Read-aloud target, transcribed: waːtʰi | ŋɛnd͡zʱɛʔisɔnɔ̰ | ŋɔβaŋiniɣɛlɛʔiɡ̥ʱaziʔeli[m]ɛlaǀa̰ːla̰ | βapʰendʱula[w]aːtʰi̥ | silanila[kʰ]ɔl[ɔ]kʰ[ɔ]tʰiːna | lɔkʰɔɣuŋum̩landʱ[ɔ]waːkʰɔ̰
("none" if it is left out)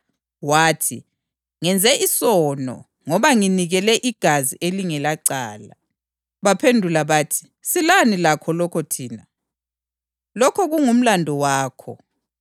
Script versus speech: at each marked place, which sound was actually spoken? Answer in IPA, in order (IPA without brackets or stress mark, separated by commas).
ŋ, β, kʰ, ɔ, ɔ, ɔ